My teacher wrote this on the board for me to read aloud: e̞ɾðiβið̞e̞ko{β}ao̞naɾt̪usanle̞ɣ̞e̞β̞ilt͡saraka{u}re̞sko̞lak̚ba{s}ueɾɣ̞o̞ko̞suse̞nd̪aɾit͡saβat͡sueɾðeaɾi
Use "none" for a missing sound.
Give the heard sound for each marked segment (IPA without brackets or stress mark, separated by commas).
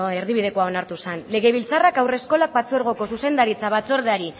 none, w, t͡s